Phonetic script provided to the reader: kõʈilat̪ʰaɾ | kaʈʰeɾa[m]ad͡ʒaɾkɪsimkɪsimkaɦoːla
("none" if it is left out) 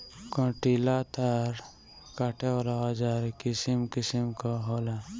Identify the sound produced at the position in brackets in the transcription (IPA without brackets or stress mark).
none